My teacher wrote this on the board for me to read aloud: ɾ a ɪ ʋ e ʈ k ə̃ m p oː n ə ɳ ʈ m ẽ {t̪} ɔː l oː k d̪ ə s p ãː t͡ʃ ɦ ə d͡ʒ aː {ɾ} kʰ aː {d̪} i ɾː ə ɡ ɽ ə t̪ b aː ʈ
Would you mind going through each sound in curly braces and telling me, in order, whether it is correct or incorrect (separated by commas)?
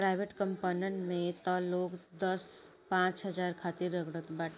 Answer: correct, correct, incorrect